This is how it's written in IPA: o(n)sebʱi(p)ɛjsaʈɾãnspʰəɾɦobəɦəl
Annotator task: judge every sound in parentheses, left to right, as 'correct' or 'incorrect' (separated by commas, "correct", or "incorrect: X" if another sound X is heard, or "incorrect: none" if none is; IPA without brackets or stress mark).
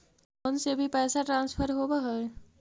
correct, correct